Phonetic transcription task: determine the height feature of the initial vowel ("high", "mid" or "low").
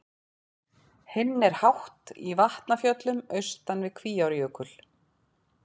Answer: high